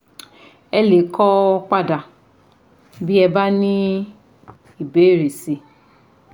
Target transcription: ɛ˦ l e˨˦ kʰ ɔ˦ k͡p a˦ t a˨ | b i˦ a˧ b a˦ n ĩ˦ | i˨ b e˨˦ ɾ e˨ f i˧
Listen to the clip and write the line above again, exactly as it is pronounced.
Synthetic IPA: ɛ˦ l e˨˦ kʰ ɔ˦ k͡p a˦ d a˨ | b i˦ ɛ˧ b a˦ n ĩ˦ | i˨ b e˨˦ ɾ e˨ s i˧